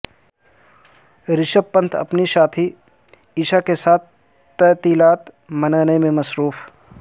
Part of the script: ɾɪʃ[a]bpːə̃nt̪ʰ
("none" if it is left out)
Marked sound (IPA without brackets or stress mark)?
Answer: ə